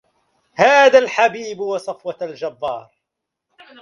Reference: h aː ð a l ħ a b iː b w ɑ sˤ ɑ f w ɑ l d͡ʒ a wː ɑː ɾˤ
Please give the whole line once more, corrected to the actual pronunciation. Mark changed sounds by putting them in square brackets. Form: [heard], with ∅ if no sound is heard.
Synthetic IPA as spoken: h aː ð a l ħ a b iː b w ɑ sˤ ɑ f w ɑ l d͡ʒ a [bː] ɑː ɾˤ